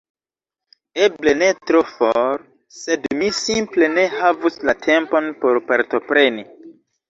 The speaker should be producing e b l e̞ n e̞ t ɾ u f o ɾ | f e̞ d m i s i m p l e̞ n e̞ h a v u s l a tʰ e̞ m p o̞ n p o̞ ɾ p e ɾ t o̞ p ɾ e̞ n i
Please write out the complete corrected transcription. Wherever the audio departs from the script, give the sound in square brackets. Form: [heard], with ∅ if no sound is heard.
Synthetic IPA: e b l e̞ n e̞ t ɾ [o] f o ɾ | [s] e̞ d m i s i m p l e̞ n e̞ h a v u s l a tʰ e̞ m p o̞ n p o̞ ɾ p [a] ɾ t o̞ p ɾ e̞ n i